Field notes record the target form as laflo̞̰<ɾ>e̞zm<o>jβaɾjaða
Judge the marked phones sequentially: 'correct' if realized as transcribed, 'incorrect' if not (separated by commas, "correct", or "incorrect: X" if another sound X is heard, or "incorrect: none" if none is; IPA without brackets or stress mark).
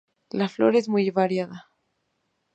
correct, incorrect: u